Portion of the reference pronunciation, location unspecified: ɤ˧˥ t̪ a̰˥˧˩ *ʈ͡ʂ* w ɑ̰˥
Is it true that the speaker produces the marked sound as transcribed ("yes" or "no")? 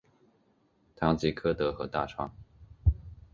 no